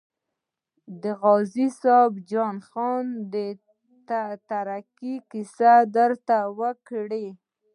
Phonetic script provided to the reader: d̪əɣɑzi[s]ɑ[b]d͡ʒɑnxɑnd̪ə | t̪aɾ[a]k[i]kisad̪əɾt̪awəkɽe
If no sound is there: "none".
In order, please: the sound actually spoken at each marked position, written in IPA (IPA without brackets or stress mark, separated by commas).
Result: s, b, a, i